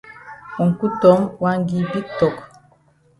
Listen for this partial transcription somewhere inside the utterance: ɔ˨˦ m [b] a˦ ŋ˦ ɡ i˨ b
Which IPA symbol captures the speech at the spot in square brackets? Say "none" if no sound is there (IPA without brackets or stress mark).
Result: w